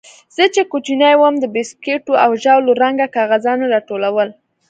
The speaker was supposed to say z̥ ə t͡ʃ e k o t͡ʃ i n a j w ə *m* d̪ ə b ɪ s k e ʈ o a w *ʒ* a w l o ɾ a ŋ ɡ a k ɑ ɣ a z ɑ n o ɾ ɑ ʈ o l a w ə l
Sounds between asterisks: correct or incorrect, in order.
correct, correct

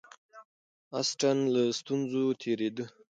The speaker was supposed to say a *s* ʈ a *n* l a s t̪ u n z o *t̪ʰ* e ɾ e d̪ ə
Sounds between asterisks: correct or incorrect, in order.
correct, correct, correct

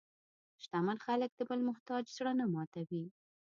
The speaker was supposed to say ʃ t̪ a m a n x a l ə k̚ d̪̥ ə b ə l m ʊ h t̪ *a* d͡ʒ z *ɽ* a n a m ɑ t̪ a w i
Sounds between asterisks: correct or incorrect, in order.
incorrect, correct

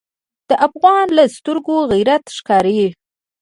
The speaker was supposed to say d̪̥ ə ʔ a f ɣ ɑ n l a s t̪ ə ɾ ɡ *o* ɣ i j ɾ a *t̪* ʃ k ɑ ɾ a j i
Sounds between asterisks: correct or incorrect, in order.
correct, correct

